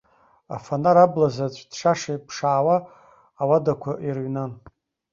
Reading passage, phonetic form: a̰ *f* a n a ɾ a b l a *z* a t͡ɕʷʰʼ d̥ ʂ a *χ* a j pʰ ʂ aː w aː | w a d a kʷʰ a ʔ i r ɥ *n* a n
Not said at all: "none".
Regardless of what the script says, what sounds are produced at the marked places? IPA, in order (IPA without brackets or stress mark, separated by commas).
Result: f, z, ʂ, n